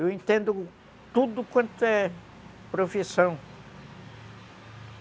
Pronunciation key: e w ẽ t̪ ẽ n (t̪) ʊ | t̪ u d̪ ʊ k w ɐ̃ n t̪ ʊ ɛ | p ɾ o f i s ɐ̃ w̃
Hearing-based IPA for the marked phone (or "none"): d̪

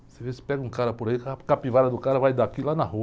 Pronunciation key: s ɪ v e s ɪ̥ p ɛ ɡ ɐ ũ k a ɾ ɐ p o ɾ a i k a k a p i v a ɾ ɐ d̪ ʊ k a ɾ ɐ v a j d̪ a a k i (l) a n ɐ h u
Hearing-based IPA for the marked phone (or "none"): l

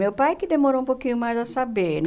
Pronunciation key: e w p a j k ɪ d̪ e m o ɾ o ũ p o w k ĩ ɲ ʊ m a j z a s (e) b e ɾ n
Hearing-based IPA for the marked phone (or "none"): a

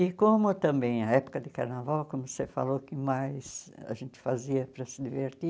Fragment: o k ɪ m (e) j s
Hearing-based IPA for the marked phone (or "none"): a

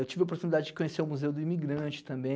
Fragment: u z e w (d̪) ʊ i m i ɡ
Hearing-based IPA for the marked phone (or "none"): d̪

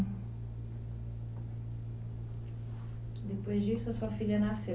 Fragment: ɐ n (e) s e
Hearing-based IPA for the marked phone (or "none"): a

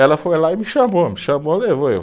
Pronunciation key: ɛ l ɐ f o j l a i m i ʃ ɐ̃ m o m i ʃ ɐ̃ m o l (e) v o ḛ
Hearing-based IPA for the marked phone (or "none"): e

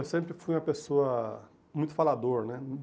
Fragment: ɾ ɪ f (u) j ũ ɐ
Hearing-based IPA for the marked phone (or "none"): u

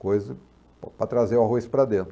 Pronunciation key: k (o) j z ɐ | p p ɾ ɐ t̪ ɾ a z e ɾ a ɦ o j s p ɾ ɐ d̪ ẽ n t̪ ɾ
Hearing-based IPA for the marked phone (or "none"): o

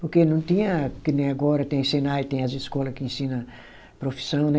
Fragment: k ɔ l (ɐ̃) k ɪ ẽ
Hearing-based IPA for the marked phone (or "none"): ɐ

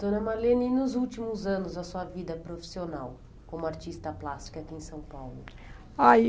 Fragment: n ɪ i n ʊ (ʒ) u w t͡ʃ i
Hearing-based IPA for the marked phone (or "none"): z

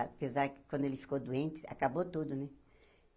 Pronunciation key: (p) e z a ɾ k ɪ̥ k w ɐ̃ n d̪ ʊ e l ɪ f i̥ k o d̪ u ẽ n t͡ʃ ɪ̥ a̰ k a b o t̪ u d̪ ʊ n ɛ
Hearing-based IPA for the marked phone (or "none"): p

